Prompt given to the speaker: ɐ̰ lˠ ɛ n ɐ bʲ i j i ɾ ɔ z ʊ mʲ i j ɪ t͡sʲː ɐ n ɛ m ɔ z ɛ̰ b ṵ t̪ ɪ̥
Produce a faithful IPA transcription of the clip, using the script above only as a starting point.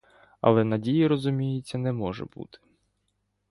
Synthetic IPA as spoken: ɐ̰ lˠ ɛ n ɐ dʲ i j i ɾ ɔ z ʊ mʲ i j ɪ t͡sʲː ɐ n ɛ m ɔ ʒ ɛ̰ b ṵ t̪ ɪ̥